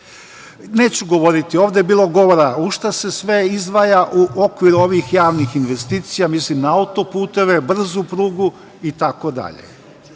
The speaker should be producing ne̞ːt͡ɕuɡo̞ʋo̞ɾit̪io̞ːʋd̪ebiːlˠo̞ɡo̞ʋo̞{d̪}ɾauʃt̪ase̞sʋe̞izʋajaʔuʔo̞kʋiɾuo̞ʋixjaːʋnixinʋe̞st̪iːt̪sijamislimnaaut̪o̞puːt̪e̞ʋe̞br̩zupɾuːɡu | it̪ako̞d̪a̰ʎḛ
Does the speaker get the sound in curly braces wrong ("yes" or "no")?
yes